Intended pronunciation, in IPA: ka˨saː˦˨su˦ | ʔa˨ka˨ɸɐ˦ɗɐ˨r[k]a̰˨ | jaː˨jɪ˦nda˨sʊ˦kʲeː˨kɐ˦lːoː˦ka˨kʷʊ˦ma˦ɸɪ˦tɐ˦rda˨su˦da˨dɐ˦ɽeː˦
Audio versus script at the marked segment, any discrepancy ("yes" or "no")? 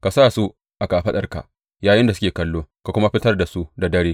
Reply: no